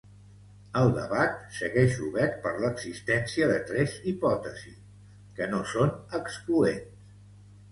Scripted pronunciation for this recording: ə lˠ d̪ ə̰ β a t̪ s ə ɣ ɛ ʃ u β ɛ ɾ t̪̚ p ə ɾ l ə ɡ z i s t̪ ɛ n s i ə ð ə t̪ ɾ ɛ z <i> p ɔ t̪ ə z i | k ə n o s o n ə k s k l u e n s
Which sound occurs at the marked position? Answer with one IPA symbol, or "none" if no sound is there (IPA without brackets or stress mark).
i